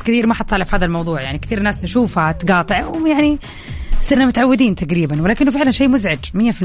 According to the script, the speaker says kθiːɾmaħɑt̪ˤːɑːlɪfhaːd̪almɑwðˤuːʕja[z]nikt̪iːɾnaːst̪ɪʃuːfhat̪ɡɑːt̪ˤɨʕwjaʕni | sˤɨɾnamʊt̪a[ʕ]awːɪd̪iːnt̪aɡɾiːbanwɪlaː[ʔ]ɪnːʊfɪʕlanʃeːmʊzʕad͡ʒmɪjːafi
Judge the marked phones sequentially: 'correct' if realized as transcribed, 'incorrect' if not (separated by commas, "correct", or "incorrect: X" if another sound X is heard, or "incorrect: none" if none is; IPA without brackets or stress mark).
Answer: incorrect: ʕ, correct, incorrect: k